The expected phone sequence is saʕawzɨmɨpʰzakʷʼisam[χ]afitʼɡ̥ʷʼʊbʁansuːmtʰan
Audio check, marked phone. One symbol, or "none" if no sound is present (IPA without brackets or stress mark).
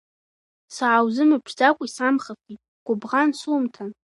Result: χ